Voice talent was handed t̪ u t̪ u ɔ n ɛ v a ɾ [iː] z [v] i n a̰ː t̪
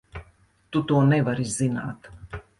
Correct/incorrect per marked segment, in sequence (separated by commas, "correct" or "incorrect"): incorrect, incorrect